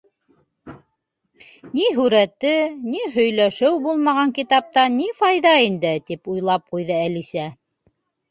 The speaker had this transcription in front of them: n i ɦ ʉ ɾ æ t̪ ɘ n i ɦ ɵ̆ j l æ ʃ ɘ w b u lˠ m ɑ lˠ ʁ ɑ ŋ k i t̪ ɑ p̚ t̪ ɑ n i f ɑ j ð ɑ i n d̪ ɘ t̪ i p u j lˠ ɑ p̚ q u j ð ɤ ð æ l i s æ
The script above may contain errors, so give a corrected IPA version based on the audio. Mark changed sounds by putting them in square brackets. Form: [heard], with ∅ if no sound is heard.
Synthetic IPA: n i ɦ ʉ ɾ æ t̪ ɘ n i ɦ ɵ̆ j l æ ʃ ɘ w b u lˠ m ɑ [∅] ʁ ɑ ŋ k i t̪ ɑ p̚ t̪ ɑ n i f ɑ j ð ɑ i n d̪ ɘ t̪ i p u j lˠ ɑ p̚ q u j ð ɤ [∅] æ l i s æ